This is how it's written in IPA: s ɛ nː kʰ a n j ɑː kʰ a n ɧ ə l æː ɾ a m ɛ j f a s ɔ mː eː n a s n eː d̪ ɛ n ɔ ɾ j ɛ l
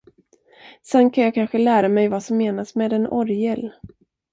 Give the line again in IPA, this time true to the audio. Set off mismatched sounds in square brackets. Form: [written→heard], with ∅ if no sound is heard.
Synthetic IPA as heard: s ɛ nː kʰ a n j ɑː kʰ a n ɧ ə l æː ɾ a m ɛ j [f→v] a s ɔ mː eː n a s [n→m] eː d̪ ɛ n ɔ ɾ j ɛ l